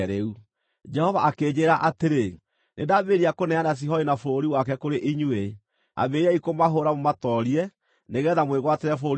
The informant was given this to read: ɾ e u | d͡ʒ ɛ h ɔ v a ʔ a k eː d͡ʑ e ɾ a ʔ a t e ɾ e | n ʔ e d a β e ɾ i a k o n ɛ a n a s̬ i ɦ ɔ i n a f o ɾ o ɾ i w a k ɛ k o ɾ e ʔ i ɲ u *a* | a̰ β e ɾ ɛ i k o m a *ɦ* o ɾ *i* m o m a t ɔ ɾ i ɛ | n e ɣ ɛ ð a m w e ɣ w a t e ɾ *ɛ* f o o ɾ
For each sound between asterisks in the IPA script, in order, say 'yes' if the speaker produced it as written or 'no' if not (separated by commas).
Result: no, yes, no, yes